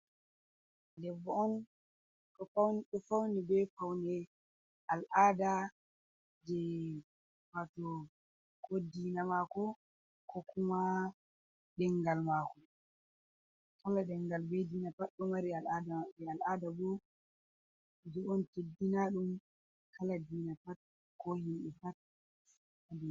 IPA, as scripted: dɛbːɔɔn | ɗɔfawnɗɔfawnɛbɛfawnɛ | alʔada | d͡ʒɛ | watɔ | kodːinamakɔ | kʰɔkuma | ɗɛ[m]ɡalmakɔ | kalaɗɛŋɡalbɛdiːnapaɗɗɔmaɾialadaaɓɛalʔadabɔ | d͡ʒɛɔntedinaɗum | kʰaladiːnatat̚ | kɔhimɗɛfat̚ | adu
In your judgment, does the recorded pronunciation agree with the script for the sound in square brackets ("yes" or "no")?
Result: no